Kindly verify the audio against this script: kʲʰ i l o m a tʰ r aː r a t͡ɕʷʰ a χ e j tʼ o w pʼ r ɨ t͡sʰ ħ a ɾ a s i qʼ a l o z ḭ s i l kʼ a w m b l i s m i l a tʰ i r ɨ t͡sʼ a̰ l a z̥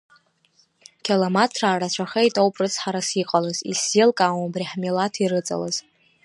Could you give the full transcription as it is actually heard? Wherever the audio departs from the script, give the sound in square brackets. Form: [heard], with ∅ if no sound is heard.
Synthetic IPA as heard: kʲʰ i l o m a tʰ r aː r a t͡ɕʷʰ a χ e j tʼ o w pʼ r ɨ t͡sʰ ħ a ɾ a s i qʼ a l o z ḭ s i l kʼ a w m b [r] i [ħ] m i l a tʰ i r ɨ t͡sʼ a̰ l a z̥